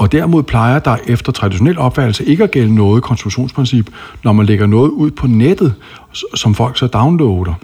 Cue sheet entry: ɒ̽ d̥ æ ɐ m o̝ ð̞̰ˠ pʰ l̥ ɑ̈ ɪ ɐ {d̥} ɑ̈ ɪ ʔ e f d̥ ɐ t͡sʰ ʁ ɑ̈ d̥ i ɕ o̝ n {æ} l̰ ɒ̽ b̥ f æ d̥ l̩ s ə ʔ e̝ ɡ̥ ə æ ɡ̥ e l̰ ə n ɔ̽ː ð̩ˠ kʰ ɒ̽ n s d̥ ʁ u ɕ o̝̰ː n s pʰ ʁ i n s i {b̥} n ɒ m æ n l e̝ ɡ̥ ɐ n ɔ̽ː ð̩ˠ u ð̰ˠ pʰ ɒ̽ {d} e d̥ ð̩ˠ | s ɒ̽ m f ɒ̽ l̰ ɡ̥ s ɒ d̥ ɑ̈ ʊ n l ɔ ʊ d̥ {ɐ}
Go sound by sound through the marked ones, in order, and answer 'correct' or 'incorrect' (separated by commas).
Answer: correct, incorrect, correct, incorrect, correct